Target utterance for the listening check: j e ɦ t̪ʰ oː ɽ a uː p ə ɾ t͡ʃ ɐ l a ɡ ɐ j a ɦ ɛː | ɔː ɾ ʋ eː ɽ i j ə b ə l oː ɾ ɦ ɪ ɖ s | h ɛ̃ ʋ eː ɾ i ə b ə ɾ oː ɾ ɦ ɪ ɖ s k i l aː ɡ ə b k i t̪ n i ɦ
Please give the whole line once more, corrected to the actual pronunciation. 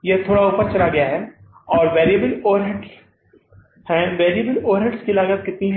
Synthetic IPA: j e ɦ t̪ʰ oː ɽ a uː p ə ɾ t͡ʃ ɐ l a ɡ ɐ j a ɦ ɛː | ɔː ɾ ʋ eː ɾ i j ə b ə l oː ɾ ɦ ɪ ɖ s | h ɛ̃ ʋ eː ɾ i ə b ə l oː ɾ ɦ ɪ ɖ s k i l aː ɡ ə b k ɪ t̪ n i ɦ